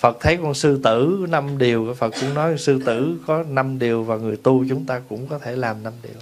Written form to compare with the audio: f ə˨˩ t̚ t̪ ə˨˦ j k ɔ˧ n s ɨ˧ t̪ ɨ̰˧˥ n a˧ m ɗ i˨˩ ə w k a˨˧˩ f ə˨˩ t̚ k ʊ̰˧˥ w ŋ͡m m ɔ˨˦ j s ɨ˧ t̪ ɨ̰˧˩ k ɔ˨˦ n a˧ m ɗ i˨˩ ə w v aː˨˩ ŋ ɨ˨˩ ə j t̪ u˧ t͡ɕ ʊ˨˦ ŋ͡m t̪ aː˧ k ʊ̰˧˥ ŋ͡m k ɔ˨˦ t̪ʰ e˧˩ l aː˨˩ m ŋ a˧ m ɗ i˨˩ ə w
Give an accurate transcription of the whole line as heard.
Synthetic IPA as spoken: f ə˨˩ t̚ t̪ʰ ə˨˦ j k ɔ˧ n s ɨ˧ t̪ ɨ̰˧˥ n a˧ m ɗ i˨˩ ə w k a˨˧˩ f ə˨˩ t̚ k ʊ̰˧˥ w ŋ͡m n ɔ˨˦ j s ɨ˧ t̪ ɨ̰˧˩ k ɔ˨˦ n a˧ m ɗ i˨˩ ə w v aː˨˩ ŋ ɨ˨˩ ə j t̪ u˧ t͡ɕ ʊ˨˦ ŋ͡m t̪ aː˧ k ʊ̰˧˥ ŋ͡m k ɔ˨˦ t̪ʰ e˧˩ l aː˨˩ m n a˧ m ɗ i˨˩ ə w